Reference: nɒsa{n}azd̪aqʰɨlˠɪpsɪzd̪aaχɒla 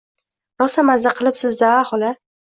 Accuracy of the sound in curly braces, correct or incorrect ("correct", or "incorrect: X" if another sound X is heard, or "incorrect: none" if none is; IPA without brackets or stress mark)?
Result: incorrect: m